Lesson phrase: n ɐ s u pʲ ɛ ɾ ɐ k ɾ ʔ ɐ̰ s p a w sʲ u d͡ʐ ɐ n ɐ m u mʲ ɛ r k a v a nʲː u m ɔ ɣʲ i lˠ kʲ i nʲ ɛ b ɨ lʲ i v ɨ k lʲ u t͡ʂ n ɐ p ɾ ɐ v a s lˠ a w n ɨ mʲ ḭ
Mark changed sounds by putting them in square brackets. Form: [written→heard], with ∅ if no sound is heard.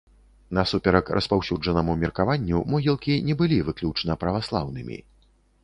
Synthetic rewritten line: n ɐ s u pʲ ɛ ɾ ɐ k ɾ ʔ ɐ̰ s p a w sʲ u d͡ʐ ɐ n ɐ m u mʲ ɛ r k a v a nʲː u m ɔ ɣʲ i lˠ kʲ i nʲ ɛ b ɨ lʲ i v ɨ k lʲ u t͡ʂ n ɐ p ɾ ɐ v a s lˠ a w n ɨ mʲ ḭ

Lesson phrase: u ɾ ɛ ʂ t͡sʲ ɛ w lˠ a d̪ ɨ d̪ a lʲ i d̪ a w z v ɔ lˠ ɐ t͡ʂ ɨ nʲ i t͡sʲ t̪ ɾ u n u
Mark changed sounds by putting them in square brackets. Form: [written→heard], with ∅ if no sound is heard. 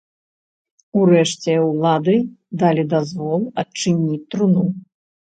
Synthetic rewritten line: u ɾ ɛ ʂ t͡sʲ ɛ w lˠ a d̪ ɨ d̪ a lʲ i d̪ a [w→∅] z v ɔ lˠ ɐ t͡ʂ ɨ nʲ i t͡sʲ t̪ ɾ u n u

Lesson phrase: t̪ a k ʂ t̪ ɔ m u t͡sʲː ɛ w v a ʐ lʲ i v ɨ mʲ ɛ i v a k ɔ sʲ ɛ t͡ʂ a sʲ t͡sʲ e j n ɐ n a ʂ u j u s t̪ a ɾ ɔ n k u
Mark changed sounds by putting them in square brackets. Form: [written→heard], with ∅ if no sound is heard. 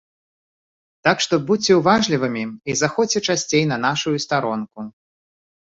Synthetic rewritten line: t̪ a k ʂ t̪ ɔ [m→b] u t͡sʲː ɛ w v a ʐ lʲ i v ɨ mʲ [ɛ→i] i [v→z] a [k→x] ɔ [sʲ→t͡sʲ] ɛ t͡ʂ a sʲ t͡sʲ e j n ɐ n a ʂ u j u s t̪ a ɾ ɔ n k u

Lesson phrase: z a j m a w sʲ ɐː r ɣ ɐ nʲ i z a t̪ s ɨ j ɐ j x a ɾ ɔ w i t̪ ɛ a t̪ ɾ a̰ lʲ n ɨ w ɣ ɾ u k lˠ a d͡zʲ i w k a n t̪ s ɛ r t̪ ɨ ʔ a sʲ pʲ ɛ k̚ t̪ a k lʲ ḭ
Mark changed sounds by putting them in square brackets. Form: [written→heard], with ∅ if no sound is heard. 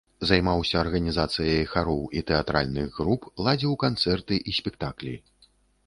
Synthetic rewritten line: z a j m a w sʲ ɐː r ɣ ɐ nʲ i z a t̪ s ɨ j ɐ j x a ɾ ɔ w i t̪ ɛ a t̪ ɾ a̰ lʲ n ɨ [w→ɣ] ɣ ɾ u [k→p] lˠ a d͡zʲ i w k a n t̪ s ɛ r t̪ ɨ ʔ [a→i] sʲ pʲ ɛ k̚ t̪ a k lʲ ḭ

